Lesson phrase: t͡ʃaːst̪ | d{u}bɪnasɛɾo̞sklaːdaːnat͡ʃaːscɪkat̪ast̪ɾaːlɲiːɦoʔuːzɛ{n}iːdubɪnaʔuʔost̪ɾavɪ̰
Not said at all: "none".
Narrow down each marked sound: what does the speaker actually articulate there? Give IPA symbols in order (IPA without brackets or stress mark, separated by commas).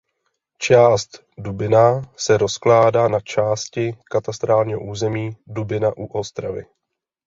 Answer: u, m